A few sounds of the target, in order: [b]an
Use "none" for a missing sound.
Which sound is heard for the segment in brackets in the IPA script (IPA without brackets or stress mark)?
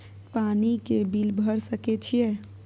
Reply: p